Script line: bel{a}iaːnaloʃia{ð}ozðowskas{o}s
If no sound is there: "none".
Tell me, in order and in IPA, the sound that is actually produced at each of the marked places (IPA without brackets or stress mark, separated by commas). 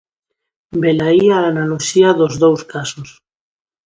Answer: a, ð, o